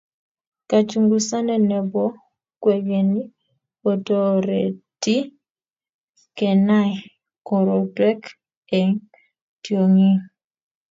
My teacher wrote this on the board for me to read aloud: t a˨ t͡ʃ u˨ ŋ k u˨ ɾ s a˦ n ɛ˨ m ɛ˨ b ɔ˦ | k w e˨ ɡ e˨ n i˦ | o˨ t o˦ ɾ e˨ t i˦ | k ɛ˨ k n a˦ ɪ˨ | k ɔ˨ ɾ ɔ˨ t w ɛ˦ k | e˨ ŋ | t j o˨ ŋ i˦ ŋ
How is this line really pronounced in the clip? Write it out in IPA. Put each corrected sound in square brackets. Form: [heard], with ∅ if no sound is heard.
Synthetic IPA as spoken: [k] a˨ t͡ʃ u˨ ŋ [ɡ] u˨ [∅] s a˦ n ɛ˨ [n] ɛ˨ b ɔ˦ | k w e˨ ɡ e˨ n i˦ | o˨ t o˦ ɾ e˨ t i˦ | k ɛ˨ [∅] n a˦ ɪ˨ | k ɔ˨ ɾ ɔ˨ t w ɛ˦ k | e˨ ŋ | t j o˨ ŋ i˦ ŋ

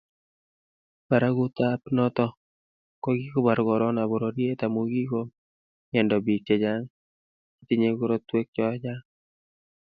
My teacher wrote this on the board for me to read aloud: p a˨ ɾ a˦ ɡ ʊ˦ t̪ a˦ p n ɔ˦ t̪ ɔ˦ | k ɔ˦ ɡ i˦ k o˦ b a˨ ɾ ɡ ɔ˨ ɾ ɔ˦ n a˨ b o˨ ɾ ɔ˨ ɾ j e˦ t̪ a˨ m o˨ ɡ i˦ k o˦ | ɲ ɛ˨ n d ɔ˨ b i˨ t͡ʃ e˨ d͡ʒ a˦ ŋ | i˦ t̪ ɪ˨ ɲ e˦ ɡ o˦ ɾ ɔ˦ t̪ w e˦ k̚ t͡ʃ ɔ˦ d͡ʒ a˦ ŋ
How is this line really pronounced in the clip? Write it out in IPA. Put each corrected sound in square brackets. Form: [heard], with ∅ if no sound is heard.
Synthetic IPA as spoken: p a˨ ɾ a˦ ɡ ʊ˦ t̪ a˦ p n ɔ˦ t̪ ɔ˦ | k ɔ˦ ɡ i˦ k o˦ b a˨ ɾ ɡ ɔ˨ ɾ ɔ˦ n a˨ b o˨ ɾ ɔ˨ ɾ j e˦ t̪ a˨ m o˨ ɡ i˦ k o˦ | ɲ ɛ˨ n d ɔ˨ b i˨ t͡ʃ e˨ d͡ʒ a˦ ŋ | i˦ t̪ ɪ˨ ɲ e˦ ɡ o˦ ɾ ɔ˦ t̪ w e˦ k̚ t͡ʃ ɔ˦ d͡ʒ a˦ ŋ

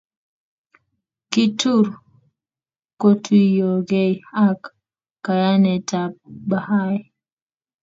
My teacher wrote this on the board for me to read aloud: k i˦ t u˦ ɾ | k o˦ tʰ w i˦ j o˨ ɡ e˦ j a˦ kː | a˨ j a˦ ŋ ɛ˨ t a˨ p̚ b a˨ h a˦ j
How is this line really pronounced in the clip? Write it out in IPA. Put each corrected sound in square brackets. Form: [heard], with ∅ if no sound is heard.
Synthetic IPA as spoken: k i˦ t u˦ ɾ | k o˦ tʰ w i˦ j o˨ ɡ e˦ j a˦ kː | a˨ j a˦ [n] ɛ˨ t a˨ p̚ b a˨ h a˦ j

